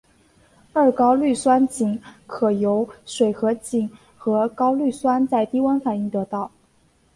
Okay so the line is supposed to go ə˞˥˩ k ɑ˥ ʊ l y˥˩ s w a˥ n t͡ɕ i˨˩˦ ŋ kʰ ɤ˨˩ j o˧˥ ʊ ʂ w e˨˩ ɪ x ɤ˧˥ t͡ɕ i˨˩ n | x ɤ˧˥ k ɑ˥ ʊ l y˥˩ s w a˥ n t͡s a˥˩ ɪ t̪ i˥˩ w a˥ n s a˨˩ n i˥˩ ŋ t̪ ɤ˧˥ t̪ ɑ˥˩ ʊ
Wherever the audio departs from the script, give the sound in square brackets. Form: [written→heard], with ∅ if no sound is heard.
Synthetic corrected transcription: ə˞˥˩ k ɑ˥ ʊ l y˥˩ s w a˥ n t͡ɕ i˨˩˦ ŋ kʰ ɤ˨˩ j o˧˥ ʊ ʂ w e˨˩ ɪ x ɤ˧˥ t͡ɕ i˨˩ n | x ɤ˧˥ k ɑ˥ ʊ l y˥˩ s w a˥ n t͡s a˥˩ ɪ t̪ [i˥˩→i˥] w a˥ n [s→f] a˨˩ n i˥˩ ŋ t̪ ɤ˧˥ t̪ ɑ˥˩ ʊ